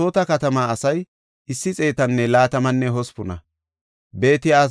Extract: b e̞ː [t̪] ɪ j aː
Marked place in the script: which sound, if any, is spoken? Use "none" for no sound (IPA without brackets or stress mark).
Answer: t̪